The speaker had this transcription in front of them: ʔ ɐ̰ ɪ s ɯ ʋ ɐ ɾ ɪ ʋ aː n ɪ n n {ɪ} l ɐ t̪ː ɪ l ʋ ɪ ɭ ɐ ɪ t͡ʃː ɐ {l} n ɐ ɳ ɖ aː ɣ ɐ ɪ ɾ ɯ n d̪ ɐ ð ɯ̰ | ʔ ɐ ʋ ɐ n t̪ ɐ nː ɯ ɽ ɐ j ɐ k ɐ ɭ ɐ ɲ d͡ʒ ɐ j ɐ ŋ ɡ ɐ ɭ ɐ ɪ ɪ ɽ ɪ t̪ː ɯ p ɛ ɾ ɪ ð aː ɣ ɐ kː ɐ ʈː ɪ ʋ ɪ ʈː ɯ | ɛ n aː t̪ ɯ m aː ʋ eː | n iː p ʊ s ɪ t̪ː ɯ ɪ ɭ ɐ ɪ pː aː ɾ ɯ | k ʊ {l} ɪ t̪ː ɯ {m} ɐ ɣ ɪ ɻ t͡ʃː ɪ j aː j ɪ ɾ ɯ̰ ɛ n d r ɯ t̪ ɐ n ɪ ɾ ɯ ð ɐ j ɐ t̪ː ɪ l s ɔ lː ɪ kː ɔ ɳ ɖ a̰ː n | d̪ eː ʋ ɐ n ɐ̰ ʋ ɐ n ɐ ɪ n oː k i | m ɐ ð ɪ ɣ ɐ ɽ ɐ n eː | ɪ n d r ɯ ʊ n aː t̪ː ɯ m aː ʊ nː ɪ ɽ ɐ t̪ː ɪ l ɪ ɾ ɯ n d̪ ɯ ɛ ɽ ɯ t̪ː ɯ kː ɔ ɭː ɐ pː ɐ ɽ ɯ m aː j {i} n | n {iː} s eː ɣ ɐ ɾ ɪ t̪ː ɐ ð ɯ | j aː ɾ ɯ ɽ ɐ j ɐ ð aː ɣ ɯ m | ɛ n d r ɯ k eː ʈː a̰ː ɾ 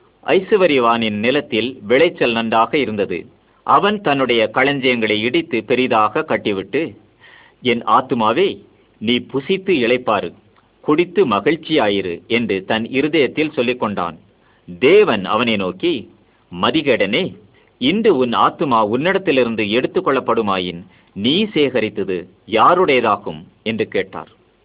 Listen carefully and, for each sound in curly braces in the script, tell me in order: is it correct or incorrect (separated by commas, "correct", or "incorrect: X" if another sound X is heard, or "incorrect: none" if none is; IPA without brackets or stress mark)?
correct, correct, incorrect: ɽ, correct, incorrect: ɪ, correct